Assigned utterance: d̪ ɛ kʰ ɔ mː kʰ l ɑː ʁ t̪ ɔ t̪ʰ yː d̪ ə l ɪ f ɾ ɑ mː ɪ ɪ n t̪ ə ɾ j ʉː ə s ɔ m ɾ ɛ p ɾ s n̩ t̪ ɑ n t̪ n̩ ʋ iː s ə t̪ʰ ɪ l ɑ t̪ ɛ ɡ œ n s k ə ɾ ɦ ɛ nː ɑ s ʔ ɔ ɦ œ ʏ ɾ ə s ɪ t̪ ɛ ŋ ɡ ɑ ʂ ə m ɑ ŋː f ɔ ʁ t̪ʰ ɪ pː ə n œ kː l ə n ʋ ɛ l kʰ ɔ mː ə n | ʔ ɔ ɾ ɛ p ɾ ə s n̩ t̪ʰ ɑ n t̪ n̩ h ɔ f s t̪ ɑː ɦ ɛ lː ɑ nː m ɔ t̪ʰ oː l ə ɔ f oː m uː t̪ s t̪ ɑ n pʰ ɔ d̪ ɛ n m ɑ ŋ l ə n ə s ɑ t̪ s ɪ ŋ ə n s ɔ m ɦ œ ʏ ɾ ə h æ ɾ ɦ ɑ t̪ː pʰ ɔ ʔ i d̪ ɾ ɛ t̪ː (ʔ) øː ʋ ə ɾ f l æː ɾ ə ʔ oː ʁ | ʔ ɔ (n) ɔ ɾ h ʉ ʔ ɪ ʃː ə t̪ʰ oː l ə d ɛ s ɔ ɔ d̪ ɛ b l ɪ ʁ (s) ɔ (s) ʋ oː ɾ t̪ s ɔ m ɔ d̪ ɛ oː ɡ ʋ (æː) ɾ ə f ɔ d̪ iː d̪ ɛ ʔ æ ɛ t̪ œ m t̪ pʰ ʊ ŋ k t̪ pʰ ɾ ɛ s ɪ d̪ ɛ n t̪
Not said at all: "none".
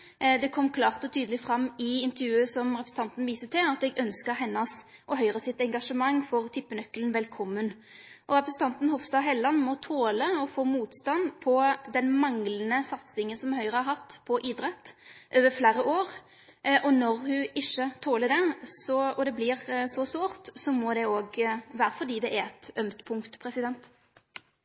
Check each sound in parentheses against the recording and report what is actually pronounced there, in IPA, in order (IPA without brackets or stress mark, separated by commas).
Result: ʔ, n, s, s, æː